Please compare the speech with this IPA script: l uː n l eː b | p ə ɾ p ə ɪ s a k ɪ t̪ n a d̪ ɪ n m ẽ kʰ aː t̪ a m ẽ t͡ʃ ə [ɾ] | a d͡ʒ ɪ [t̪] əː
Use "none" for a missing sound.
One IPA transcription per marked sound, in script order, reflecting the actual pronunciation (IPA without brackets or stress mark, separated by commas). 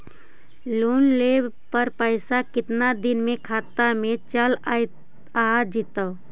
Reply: l, t̪